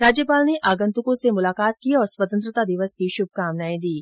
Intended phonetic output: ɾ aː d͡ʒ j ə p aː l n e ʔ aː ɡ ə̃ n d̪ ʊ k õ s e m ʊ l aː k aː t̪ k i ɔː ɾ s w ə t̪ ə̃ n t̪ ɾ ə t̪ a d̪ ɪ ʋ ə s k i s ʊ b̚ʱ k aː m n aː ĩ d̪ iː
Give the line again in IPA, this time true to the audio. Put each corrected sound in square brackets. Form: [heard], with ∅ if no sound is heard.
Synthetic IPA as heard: ɾ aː d͡ʒ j ə p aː l n e ʔ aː ɡ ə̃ n [t̪] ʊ k õ s e m ʊ l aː k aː t̪ k i ɔː ɾ s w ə t̪ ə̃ n t̪ ɾ ə t̪ a d̪ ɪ ʋ ə s k i [ʃ] ʊ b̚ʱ k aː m n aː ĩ d̪ iː